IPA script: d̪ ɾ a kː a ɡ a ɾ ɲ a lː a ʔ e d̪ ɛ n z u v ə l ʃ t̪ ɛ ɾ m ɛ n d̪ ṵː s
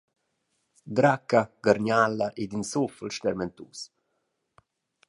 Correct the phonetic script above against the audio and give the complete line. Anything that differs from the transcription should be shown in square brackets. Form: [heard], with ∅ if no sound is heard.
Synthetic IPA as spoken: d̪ ɾ a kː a ɡ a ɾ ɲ a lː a ʔ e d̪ [i] n [s] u [f] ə l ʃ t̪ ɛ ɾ m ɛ n [t̪] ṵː s